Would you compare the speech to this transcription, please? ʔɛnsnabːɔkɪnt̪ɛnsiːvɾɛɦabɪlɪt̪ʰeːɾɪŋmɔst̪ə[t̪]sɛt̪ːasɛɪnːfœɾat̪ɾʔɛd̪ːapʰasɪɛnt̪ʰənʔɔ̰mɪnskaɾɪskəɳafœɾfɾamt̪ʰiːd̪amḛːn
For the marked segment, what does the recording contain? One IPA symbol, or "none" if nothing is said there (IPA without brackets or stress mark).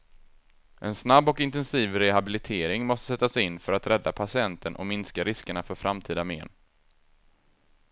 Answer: none